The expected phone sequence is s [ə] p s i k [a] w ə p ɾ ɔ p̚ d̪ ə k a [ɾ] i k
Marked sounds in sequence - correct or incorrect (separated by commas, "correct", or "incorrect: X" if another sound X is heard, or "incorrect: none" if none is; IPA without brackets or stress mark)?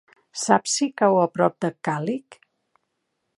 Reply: incorrect: a, correct, incorrect: l